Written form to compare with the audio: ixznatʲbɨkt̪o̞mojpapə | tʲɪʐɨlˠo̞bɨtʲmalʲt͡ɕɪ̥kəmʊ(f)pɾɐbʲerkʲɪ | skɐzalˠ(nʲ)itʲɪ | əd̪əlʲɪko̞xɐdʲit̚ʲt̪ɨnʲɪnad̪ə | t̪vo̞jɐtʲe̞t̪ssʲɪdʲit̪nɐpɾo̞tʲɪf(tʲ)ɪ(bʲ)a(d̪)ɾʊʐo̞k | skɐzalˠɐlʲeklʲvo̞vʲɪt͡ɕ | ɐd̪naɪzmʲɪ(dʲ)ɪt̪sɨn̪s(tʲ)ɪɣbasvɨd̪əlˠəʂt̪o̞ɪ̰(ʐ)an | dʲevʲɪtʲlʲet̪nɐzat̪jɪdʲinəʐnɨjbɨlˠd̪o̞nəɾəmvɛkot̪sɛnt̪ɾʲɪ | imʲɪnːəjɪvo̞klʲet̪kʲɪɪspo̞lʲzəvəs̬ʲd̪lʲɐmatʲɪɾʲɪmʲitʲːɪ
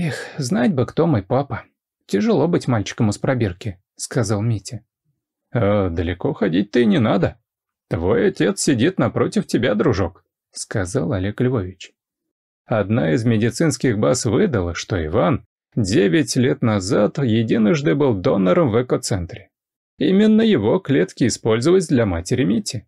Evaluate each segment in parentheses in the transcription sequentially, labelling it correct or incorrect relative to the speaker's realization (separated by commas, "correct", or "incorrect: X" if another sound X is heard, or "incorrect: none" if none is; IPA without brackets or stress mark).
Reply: incorrect: s, incorrect: mʲ, correct, correct, correct, correct, incorrect: kʲ, incorrect: v